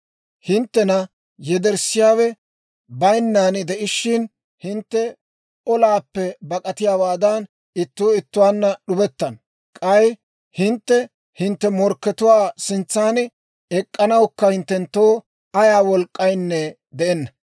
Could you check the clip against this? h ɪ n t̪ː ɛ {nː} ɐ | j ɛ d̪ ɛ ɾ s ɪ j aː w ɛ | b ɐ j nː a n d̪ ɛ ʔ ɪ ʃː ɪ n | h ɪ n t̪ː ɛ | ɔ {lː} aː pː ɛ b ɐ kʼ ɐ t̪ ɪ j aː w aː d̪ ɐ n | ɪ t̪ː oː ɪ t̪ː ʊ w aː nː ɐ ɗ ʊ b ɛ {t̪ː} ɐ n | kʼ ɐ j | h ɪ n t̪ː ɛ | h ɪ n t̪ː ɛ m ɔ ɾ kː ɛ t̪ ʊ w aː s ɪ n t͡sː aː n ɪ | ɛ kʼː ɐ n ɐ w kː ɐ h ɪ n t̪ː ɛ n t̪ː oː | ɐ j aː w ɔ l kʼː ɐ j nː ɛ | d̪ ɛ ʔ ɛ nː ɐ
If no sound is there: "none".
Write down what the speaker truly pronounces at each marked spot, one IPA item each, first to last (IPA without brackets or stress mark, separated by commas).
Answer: n, l, t̪ː